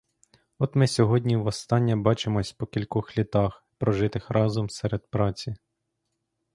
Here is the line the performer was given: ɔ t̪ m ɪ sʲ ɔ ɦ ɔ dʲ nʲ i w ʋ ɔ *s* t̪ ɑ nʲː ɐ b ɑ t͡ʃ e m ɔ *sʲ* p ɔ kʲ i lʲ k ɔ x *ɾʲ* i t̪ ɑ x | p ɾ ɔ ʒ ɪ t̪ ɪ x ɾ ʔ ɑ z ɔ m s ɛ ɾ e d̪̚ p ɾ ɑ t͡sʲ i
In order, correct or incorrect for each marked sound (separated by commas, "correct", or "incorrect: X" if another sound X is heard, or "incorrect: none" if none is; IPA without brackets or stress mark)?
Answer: correct, correct, incorrect: lʲ